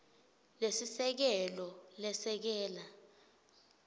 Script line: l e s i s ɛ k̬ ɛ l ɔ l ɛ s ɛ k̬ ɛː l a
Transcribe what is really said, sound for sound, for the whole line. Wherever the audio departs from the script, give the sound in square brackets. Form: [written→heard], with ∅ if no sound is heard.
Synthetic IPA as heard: l e s i s ɛ k̬ ɛ l ɔ l ɛ s ɛ k̬ ɛː l a